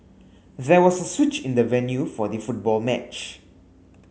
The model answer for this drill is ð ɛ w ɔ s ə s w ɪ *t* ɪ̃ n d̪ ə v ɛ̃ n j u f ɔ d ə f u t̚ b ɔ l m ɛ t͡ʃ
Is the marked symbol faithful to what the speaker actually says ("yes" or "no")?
no